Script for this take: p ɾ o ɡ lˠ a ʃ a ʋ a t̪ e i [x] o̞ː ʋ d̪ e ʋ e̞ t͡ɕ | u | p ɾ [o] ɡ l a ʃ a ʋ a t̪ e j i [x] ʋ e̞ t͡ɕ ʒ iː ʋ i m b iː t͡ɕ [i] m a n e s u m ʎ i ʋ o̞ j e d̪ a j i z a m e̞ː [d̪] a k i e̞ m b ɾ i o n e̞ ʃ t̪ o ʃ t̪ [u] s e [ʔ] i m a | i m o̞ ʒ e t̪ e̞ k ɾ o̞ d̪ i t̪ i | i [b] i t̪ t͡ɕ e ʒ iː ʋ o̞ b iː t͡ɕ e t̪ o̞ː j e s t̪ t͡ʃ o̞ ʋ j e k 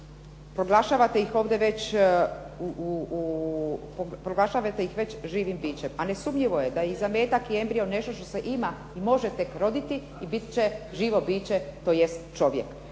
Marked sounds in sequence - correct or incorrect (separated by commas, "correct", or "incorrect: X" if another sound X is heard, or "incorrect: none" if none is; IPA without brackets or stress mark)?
correct, correct, correct, incorrect: e, incorrect: t̪, incorrect: o, correct, correct